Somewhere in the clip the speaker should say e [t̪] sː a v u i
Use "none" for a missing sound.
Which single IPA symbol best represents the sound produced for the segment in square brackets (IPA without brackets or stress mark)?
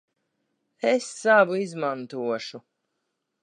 none